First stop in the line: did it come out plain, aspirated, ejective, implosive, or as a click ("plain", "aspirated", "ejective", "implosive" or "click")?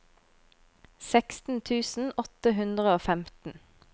plain